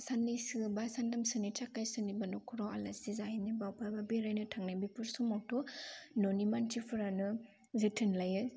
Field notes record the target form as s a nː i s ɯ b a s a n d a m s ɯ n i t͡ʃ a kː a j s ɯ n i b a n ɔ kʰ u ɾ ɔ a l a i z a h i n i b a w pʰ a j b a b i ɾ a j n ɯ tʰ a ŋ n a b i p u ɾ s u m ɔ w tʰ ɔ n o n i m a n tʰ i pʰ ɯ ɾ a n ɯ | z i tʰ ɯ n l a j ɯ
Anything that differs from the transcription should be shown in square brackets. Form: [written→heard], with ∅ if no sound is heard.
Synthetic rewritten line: s a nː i s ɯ b a s a n d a m s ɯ n i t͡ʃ a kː a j s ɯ n i b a n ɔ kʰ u ɾ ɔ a l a i z a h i n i b a w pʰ a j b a b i ɾ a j n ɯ tʰ a ŋ n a b i p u ɾ s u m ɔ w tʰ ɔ n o n i m a n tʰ i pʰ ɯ ɾ a n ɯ | z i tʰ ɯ n l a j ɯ

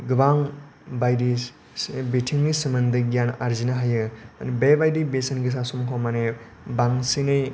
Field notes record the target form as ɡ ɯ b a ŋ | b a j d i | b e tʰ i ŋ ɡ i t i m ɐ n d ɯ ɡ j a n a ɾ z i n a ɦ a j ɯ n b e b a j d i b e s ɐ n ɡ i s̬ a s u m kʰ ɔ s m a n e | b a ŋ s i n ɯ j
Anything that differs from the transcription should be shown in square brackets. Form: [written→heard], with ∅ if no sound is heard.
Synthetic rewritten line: ɡ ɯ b a ŋ | b a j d i | b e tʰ i ŋ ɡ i [t→s] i m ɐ n d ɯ ɡ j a n a ɾ z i n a ɦ a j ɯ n b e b a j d i b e s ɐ n ɡ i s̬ a s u m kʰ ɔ [s→∅] m a n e | b a ŋ s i n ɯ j

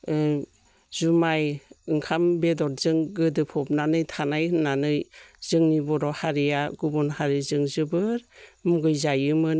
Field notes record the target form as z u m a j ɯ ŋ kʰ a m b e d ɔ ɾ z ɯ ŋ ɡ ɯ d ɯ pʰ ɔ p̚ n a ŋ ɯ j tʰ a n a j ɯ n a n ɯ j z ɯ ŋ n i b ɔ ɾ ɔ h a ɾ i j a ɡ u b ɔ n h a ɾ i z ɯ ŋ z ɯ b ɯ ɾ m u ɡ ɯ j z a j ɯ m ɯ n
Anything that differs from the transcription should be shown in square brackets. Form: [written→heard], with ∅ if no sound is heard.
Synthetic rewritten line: z u m a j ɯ ŋ kʰ a m b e d ɔ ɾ z ɯ ŋ ɡ ɯ d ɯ pʰ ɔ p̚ n a [ŋ→n] ɯ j tʰ a n a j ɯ n a n ɯ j z ɯ ŋ n i b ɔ ɾ ɔ h a ɾ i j a ɡ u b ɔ n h a ɾ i z ɯ ŋ z ɯ b ɯ ɾ m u ɡ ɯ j z a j ɯ m ɯ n

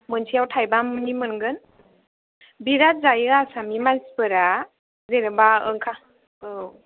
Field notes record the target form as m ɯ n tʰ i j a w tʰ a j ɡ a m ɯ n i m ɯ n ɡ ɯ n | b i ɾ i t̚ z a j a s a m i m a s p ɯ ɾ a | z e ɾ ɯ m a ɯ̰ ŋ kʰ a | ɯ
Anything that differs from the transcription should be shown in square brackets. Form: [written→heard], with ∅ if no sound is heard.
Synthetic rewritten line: m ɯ n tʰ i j a w tʰ a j [ɡ→b] a m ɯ n i m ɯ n ɡ ɯ n | b i ɾ [i→a] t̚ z a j a s a m i m a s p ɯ ɾ a | z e ɾ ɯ [m→b] a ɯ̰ ŋ kʰ a | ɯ

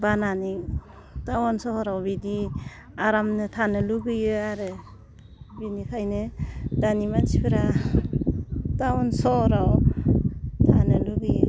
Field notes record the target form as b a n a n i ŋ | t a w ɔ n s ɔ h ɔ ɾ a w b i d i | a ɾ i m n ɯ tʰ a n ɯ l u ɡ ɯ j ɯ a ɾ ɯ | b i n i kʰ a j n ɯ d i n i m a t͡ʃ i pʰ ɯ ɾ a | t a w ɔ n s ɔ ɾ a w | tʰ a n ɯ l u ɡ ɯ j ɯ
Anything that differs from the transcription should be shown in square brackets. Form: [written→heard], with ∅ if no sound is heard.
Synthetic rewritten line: b a n a n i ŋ | t a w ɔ n s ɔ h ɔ ɾ a w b i d i | a ɾ [i→a] m n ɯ tʰ a n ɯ l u ɡ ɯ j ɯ a ɾ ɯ | b i n i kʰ a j n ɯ d [i→a] n i m a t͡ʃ i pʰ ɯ ɾ a | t a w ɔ n s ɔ ɾ a w | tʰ a n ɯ l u ɡ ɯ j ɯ

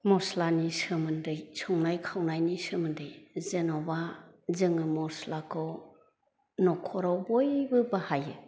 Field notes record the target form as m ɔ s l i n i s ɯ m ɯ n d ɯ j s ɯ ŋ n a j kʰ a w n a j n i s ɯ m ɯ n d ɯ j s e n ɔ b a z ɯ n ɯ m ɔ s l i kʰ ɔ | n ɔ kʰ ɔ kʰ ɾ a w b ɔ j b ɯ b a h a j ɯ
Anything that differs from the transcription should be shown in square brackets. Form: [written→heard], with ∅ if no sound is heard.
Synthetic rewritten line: m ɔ s l [i→a] n i s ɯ m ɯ n d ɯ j s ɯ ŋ n a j kʰ a w n a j n i s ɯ m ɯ n d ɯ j [s→z] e n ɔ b a z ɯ [n→ŋ] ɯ m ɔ s l [i→a] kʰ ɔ | n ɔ kʰ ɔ [kʰ→∅] ɾ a w b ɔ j b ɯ b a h a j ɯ

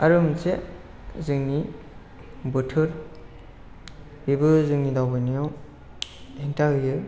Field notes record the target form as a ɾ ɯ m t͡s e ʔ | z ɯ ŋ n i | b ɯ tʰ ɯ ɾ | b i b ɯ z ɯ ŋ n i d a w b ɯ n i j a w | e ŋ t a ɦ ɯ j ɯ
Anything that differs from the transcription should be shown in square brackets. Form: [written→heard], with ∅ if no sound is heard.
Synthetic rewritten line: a ɾ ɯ m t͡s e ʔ | z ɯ ŋ n i | b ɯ tʰ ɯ ɾ | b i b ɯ z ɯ ŋ n i d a w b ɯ n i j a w | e ŋ t a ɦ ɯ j ɯ

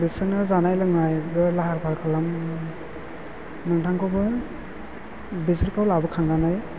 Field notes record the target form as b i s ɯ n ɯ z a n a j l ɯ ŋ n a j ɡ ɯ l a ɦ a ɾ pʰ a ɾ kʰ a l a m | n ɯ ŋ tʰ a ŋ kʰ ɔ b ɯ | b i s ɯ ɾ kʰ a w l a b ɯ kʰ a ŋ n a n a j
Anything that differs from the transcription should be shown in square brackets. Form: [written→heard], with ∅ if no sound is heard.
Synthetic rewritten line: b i s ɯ n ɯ z a n a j l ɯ ŋ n a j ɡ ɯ l a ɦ a ɾ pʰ a ɾ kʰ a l a m | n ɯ ŋ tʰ a ŋ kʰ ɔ b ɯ | b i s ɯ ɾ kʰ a w l a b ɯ kʰ a ŋ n a n a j

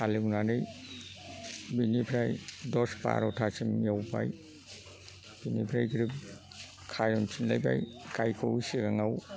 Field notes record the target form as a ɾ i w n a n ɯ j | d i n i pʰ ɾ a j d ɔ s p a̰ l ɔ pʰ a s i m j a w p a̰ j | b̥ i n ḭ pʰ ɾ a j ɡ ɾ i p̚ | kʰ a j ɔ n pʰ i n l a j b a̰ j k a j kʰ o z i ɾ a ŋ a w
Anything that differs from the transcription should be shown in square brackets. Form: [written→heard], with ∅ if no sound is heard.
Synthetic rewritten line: a [ɾ→l] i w n a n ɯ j | [d→b] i n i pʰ ɾ a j d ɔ s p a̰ [l→ɾ] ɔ [pʰ→tʰ] a s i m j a w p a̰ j | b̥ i n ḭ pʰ ɾ a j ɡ ɾ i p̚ | kʰ a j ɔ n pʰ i n l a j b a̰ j k a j kʰ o [z→s] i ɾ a ŋ a w

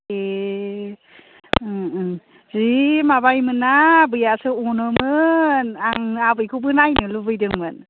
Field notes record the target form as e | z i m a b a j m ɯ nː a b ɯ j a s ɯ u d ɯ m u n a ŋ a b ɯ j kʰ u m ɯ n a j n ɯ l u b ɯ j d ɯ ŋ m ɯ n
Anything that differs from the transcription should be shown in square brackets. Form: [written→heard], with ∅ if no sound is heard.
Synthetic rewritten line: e | z i m a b a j m ɯ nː a b ɯ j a s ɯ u [d→n] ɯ m [u→ɯ] n a ŋ a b ɯ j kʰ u [m→b] ɯ n a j n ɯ l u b ɯ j d ɯ ŋ m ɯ n

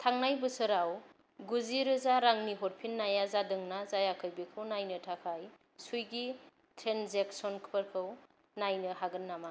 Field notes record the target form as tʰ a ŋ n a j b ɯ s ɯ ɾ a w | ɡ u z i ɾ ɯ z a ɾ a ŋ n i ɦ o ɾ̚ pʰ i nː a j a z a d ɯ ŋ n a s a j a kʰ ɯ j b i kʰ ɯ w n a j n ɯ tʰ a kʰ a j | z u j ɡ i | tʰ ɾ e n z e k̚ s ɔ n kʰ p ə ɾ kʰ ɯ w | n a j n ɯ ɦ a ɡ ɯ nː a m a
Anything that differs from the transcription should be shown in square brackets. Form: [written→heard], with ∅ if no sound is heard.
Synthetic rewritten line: tʰ a ŋ n a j b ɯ s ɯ ɾ a w | ɡ u z i ɾ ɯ z a ɾ a ŋ n i ɦ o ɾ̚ pʰ i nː a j a z a d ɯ ŋ n a [s→z] a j a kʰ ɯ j b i kʰ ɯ w n a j n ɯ tʰ a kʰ a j | [z→s] u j ɡ i | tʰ ɾ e n z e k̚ s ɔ n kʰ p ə ɾ kʰ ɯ w | n a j n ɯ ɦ a ɡ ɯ nː a m a

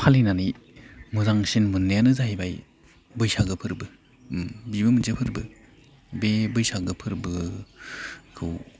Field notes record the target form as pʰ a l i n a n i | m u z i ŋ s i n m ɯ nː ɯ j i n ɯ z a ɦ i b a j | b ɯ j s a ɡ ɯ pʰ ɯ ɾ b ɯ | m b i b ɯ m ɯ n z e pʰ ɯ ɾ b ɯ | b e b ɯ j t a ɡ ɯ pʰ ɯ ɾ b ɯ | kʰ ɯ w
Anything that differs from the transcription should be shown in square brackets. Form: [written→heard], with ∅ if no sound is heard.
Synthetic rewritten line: pʰ a l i n a n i | m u z [i→a] ŋ s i n m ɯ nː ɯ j [i→a] n ɯ z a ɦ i b a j | b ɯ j s a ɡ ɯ pʰ ɯ ɾ b ɯ | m b i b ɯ m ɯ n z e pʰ ɯ ɾ b ɯ | b e b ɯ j [t→s] a ɡ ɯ pʰ ɯ ɾ b ɯ | kʰ ɯ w

